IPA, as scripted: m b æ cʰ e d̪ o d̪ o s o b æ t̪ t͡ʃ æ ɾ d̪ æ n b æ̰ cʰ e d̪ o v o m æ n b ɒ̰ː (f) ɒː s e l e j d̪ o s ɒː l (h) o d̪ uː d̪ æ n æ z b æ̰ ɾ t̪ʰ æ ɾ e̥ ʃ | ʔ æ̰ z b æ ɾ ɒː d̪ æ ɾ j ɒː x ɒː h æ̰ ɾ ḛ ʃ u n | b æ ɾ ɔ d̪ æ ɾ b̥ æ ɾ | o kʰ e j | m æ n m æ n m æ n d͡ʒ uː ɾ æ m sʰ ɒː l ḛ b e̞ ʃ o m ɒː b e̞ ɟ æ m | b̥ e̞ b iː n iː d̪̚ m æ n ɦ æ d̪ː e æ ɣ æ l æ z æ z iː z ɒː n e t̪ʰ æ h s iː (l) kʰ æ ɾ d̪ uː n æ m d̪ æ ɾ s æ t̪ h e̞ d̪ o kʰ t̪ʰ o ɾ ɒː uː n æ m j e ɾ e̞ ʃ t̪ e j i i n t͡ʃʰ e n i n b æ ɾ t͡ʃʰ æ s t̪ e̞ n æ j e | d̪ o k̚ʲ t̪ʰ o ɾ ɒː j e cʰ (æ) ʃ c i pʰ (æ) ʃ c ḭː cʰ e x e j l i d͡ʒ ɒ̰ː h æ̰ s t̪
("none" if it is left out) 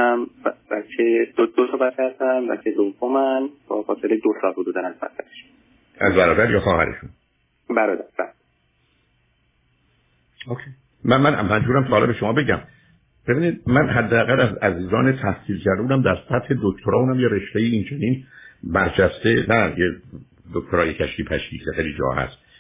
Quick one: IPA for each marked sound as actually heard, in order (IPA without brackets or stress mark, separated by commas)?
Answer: f, h, l, æ, æ